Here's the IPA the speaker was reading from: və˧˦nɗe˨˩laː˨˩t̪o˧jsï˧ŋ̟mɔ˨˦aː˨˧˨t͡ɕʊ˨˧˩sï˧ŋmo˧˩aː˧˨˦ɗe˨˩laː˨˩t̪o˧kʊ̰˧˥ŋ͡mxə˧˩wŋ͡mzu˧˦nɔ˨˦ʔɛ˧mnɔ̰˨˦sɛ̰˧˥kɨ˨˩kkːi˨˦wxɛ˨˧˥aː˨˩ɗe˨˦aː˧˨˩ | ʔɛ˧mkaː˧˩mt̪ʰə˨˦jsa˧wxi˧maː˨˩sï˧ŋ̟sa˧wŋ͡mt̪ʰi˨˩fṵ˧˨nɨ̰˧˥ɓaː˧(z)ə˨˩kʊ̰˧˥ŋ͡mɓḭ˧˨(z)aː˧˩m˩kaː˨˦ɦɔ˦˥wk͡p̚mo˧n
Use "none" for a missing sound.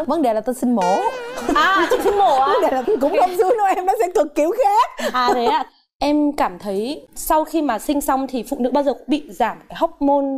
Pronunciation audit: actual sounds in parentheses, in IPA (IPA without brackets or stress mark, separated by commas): z, z